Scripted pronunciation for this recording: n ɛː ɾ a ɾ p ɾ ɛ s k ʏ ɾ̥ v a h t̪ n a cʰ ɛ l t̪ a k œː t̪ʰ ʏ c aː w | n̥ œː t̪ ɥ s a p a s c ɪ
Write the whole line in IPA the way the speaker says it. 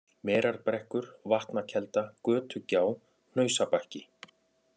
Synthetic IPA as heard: m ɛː ɾ a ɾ p ɾ ɛ h k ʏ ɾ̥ v a h t̪ n a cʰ ɛ l t̪ a k œː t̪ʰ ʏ c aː w | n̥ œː ɥ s a p a h c ɪ